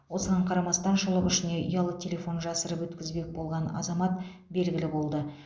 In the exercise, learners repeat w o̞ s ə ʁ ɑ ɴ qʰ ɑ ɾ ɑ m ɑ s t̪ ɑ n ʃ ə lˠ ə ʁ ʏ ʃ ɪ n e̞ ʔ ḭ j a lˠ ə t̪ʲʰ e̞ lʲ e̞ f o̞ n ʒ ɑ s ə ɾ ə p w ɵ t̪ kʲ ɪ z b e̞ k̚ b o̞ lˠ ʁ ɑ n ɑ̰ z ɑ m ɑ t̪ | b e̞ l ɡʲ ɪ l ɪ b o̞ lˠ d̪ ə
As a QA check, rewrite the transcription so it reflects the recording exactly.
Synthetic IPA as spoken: w o̞ s ə ʁ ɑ ɴ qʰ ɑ ɾ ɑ m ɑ s t̪ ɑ n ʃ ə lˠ ə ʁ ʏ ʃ ɪ n e̞ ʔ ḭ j ɑ lˠ ə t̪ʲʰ e̞ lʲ e̞ f o̞ n ʒ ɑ s ə ɾ ə p w ɵ t̪ kʲ ɪ z b e̞ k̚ b o̞ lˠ ʁ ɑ n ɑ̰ z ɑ m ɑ t̪ | b e̞ l ɡʲ ɪ l ɪ b o̞ lˠ d̪ ə